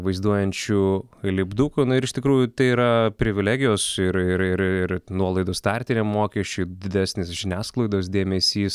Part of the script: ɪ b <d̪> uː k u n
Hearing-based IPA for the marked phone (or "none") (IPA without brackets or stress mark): d̪